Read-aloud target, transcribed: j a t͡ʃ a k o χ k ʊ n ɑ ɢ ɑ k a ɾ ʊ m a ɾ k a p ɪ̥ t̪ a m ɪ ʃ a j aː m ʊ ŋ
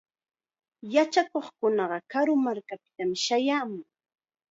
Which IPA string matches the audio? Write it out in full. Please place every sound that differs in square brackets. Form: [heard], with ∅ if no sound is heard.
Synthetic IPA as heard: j a t͡ʃ a k o χ k ʊ n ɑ ɢ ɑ k a ɾ ʊ m a ɾ k a p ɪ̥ t̪ a m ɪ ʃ a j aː m ʊ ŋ